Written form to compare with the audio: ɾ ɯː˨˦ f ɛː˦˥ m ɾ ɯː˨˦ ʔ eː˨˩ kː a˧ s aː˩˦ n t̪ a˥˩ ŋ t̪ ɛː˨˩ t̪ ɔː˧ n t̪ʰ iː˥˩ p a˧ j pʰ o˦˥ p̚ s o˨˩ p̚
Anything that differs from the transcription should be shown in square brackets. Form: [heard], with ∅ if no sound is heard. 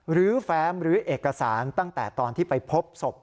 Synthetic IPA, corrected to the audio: ɾ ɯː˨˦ f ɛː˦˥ m ɾ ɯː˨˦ ʔ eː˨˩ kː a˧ s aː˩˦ n t̪ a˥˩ ŋ t̪ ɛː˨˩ t̪ ɔː˧ n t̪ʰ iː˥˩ p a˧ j pʰ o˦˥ p̚ s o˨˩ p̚